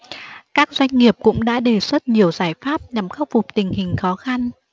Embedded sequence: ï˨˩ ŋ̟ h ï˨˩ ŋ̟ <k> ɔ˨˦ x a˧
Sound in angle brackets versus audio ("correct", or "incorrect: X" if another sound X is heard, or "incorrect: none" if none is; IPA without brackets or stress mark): incorrect: x